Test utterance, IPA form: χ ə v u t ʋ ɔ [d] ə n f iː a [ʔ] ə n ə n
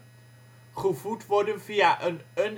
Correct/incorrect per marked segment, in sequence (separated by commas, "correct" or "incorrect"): correct, correct